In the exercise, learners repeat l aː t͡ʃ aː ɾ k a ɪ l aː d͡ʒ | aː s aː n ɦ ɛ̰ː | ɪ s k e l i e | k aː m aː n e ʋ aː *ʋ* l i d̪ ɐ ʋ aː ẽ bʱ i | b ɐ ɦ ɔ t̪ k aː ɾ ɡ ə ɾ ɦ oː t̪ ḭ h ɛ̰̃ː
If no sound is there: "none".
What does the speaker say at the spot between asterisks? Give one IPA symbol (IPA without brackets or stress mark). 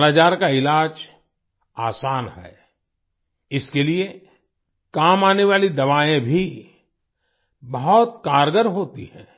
none